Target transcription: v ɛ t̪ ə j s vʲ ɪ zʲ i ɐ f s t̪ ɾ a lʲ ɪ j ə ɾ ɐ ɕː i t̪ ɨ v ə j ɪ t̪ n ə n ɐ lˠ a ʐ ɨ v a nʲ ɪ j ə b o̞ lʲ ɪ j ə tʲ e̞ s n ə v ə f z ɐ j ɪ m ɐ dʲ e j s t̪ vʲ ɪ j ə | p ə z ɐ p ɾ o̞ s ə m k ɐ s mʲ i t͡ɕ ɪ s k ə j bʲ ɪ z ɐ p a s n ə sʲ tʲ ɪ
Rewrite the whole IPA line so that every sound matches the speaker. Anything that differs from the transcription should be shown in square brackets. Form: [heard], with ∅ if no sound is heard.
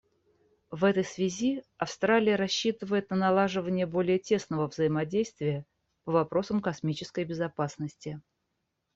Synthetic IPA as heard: v ɛ t̪ ə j s vʲ ɪ zʲ i ɐ f s t̪ ɾ a lʲ ɪ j ə ɾ ɐ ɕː i t̪ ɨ v ə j ɪ t̪ n ə n ɐ lˠ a ʐ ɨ v [ə] nʲ ɪ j ə b o̞ lʲ ɪ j ə tʲ e̞ s n ə v ə [v] z [ə] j ɪ m ɐ dʲ e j s t̪ vʲ ɪ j ə | p ə [v] ɐ p ɾ o̞ s ə m k ɐ s mʲ i t͡ɕ ɪ s k ə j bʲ ɪ z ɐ p a s n ə sʲ tʲ ɪ